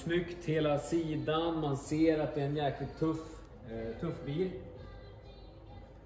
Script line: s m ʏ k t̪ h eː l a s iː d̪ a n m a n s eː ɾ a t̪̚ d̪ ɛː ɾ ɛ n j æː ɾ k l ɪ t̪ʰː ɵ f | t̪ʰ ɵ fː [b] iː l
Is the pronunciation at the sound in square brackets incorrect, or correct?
correct